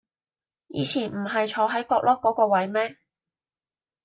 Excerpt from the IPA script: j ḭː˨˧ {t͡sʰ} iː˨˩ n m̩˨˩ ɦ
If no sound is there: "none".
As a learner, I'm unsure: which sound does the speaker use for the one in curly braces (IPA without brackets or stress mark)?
t͡sʰ